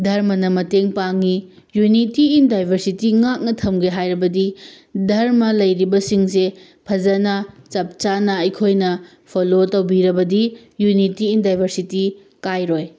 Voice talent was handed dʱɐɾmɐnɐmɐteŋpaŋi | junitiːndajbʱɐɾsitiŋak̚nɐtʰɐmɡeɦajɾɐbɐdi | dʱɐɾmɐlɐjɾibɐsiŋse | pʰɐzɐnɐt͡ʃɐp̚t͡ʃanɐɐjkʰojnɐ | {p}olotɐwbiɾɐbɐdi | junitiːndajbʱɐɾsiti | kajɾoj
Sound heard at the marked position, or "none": pʰ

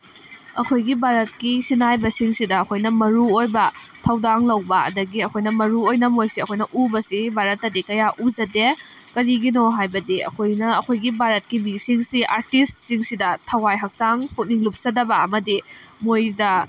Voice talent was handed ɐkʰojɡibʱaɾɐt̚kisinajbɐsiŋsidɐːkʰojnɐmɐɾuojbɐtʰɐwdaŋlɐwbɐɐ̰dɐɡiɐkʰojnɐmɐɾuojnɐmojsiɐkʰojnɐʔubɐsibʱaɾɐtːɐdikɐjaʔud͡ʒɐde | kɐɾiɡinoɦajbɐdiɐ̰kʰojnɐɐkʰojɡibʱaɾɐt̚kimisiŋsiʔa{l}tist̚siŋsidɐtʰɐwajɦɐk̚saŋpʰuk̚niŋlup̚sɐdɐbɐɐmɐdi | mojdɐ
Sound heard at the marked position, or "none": ɾ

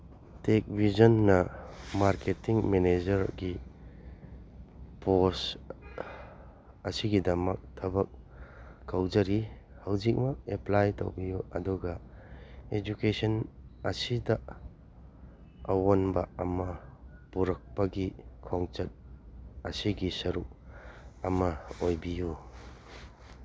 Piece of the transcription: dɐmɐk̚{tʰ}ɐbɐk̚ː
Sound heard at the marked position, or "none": tʰ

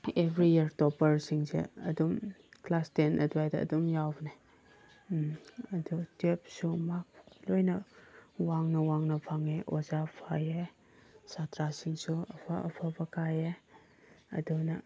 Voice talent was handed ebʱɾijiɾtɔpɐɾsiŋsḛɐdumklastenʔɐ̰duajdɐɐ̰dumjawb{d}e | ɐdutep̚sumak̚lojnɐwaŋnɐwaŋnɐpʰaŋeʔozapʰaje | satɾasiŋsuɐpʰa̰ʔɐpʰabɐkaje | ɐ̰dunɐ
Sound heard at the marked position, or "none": n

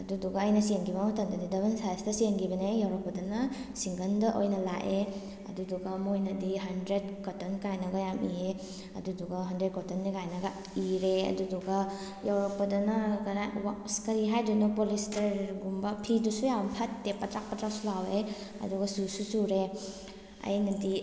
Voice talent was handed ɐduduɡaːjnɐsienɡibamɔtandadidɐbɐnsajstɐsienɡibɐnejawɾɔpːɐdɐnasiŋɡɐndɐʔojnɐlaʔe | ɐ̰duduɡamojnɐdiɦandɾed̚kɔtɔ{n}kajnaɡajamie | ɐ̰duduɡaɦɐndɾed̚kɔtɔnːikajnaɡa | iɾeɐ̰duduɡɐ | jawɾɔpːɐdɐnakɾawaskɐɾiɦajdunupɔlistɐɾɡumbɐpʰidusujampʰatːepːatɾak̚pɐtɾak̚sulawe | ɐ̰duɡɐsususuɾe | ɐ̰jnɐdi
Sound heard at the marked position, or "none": n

